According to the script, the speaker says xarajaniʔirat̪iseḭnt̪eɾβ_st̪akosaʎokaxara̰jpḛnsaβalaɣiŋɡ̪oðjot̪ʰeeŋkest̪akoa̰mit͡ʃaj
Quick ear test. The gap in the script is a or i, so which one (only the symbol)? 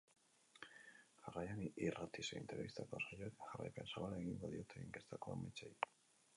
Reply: i